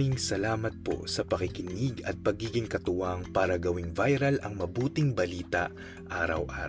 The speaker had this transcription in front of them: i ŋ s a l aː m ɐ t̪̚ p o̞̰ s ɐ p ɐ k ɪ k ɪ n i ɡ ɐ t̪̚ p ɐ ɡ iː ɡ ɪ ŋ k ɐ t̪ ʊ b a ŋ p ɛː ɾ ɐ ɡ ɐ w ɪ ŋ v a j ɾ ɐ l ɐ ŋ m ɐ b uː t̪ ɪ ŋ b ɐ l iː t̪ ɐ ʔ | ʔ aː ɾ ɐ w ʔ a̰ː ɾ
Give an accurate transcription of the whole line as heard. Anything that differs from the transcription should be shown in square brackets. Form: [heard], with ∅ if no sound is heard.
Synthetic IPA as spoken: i ŋ s [ɐ] l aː m ɐ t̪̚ p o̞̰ s ɐ p ɐ k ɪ k ɪ n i ɡ ɐ t̪̚ p ɐ ɡ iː ɡ ɪ ŋ k ɐ t̪ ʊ [w] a ŋ p [aː] ɾ ɐ ɡ ɐ w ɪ ŋ v a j ɾ ɐ l ɐ ŋ m ɐ b uː t̪ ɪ ŋ b ɐ l iː t̪ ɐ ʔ | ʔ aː ɾ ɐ w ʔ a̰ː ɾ